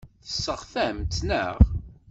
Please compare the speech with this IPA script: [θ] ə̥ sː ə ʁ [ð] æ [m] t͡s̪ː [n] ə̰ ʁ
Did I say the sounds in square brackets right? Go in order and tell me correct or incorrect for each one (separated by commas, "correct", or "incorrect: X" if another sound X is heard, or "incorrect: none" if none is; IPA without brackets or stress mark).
correct, incorrect: θ, correct, correct